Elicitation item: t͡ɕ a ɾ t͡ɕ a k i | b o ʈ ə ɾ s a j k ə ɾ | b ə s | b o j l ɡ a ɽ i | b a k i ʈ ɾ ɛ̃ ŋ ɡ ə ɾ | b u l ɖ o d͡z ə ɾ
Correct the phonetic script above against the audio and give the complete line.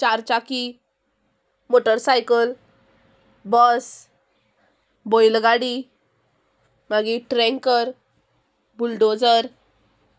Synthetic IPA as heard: t͡ɕ a ɾ t͡ɕ a k i | m o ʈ ə ɾ s a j k ə l | b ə s | b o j l ɡ a ɽ i | m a ɡ i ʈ ɾ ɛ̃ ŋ k ə ɾ | b u l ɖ o d͡z ə ɾ